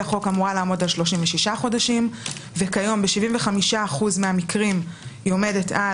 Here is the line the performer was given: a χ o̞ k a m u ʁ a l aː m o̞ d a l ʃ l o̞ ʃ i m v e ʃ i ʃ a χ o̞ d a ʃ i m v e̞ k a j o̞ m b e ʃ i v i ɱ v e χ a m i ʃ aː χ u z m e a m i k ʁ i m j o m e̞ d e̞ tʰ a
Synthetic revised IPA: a χ o̞ k a m u ʁ a l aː m o̞ d a l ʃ l o̞ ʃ i m v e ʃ i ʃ a χ o̞ d a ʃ i m v e̞ k a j o̞ m b e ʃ i v i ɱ v e χ a m i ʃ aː χ u z m e a m i k ʁ i m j o m e̞ d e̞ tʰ a